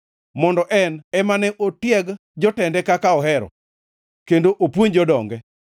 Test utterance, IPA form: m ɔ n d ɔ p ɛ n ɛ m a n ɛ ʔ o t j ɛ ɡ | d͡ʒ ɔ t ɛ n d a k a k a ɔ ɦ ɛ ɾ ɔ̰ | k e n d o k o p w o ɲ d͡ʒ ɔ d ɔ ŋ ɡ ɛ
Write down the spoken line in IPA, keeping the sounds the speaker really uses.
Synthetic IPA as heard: m ɔ n d ɔ ʔ ɛ n ɛ m a n ɛ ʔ o t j ɛ ɡ | d͡ʒ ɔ t ɛ n d ɛ k a k a ɔ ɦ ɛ ɾ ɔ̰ | k e n d o ʔ o p w o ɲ d͡ʒ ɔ d ɔ ŋ ɡ ɛ